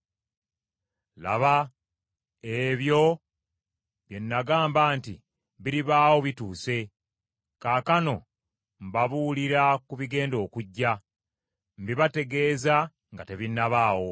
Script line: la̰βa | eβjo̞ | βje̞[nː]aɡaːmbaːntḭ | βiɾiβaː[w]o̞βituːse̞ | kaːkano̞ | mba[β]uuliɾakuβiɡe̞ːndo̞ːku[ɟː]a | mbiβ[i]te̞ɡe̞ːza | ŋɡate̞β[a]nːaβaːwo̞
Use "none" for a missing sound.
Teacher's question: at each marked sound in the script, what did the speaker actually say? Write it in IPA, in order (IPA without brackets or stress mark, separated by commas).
nː, w, β, ɟː, a, i